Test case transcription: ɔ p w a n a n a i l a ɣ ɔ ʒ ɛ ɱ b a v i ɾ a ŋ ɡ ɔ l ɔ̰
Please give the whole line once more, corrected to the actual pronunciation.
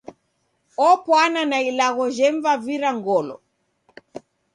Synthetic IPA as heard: ɔ p w a n a n a i l a ɣ ɔ ʒ ɛ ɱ v a v i ɾ a ŋ ɡ ɔ l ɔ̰